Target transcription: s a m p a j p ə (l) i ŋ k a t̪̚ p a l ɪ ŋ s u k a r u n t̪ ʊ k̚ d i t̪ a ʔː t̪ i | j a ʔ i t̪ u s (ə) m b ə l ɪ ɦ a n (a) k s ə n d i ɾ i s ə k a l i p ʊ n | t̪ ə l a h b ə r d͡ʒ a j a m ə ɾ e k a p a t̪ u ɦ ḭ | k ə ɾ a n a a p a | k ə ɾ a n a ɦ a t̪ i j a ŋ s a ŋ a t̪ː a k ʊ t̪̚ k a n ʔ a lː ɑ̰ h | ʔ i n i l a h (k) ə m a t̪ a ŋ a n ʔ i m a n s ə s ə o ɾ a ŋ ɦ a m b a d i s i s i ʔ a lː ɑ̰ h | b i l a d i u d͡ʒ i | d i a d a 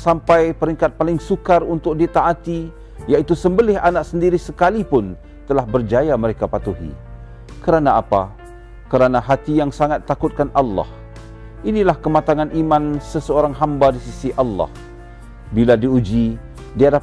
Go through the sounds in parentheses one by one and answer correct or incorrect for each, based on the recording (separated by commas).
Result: incorrect, correct, correct, correct